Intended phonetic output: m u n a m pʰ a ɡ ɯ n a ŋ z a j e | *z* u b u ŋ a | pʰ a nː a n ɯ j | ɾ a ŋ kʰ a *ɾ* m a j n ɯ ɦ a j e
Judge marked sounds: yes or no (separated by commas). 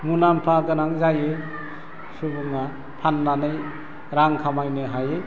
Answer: no, no